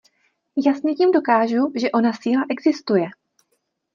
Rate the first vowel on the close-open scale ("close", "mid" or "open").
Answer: open